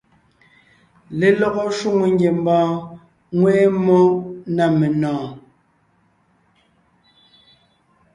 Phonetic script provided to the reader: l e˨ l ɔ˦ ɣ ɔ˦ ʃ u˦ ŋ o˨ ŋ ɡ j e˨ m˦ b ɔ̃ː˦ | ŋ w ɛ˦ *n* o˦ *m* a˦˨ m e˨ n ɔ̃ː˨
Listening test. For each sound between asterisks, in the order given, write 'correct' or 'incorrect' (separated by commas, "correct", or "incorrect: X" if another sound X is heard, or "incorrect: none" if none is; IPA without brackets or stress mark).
incorrect: m, incorrect: n